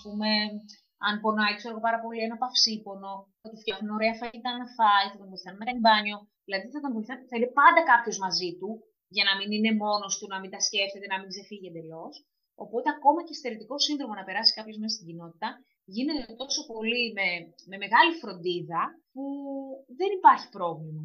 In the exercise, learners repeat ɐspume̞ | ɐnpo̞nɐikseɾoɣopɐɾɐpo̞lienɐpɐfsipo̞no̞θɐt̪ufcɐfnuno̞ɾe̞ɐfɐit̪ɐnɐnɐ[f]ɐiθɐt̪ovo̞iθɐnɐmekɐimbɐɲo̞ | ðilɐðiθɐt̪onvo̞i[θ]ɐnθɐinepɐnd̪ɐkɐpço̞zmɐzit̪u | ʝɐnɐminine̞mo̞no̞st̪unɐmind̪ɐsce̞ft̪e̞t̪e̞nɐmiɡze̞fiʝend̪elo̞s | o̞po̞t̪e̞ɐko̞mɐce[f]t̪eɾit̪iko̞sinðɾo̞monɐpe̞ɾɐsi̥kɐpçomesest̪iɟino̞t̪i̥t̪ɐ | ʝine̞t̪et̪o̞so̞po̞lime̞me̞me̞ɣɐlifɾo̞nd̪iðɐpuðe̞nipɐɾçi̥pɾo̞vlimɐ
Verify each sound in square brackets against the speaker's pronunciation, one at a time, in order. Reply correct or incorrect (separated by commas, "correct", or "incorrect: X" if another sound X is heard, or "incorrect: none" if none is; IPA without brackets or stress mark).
correct, correct, incorrect: s